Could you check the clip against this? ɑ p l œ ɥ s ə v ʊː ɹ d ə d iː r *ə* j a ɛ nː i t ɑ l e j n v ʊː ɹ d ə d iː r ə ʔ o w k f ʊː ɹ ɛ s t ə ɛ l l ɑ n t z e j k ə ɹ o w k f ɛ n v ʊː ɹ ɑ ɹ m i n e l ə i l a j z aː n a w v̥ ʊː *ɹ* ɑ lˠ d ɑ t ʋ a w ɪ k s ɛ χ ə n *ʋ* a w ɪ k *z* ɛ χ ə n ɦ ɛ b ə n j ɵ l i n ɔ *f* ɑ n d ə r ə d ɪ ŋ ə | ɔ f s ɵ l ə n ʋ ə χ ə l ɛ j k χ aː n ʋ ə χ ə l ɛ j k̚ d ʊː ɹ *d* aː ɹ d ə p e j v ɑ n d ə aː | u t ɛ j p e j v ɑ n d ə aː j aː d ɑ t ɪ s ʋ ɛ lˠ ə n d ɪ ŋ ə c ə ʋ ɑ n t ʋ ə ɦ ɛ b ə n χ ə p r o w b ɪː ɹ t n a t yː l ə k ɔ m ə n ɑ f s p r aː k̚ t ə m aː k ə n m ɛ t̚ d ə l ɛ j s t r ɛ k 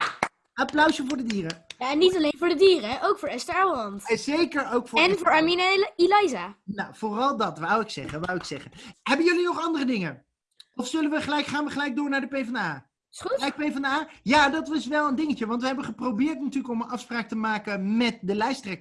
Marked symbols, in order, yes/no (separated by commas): yes, no, yes, no, no, no